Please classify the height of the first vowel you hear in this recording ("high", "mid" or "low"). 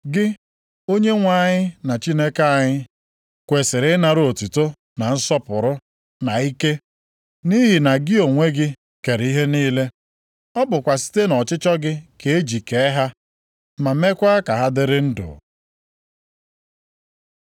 high